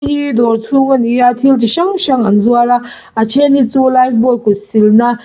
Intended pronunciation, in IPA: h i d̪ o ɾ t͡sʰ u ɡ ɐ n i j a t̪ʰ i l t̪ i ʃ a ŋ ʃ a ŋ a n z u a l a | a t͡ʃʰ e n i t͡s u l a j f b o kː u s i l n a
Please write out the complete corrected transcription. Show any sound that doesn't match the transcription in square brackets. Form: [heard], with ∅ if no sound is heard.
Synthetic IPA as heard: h i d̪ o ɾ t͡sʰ u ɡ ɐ n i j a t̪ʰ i l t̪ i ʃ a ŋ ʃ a ŋ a n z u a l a | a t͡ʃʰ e n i t͡s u l a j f b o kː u s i l n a